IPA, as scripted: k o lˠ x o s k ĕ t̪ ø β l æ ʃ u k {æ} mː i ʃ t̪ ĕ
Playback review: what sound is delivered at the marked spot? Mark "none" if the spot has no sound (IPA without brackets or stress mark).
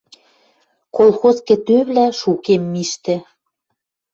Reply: e